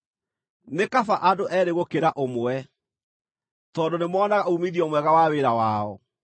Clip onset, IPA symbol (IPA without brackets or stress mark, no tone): n